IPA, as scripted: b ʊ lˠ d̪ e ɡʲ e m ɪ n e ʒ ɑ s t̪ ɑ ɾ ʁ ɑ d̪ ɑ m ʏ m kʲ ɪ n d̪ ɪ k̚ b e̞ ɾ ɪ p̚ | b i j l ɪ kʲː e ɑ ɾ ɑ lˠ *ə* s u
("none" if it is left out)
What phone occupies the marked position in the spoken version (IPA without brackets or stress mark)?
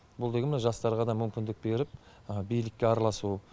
ɑ